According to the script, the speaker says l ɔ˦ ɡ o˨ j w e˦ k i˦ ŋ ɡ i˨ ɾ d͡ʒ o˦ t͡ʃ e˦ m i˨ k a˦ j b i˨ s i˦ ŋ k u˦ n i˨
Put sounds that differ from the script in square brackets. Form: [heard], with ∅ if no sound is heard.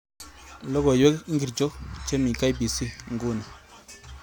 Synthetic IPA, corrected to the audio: l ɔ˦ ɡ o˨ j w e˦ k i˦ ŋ ɡ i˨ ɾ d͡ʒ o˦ t͡ʃ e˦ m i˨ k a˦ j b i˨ s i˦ ŋ [ɡ] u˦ n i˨